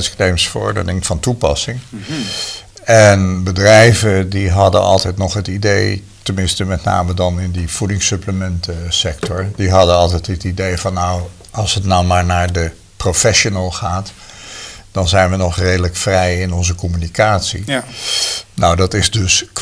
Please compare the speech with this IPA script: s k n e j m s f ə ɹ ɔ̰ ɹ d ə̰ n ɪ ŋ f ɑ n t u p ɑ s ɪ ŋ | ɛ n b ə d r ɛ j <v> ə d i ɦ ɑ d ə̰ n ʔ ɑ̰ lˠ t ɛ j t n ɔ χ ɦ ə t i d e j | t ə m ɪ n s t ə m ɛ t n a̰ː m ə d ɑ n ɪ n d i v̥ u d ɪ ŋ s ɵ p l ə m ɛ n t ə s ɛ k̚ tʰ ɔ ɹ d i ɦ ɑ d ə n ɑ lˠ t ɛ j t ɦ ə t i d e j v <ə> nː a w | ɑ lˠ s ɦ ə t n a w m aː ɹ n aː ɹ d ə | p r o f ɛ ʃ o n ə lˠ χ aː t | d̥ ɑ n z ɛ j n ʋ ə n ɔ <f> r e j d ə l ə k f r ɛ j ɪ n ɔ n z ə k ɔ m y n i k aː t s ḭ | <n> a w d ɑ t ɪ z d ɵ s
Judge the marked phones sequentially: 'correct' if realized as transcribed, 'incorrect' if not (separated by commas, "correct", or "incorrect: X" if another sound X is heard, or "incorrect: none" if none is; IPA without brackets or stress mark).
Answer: correct, incorrect: ɑ, incorrect: χ, correct